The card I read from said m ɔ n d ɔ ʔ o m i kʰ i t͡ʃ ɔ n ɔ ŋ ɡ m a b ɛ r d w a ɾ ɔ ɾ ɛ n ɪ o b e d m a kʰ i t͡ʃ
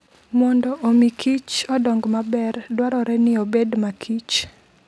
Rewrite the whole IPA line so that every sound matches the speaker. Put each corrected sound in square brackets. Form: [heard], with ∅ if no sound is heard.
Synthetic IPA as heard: m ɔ n d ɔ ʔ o m i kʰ i t͡ʃ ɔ [d] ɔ ŋ ɡ m a b ɛ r d w a ɾ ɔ ɾ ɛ n ɪ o b e d m a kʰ i t͡ʃ